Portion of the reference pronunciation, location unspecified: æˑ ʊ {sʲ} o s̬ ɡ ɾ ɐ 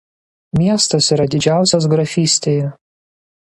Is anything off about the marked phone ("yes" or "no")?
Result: no